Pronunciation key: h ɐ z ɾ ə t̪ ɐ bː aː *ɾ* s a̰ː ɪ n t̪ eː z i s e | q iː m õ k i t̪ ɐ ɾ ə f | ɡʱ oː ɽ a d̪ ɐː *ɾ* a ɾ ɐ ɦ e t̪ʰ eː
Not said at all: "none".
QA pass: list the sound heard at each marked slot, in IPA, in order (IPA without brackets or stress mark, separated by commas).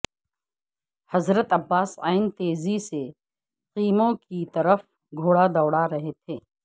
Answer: none, ɽ